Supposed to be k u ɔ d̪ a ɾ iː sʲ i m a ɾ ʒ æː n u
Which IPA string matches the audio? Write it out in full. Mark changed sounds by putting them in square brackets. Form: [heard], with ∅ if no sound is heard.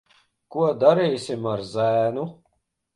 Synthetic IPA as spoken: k u ɔ d̪ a ɾ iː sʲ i m a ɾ [z] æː n u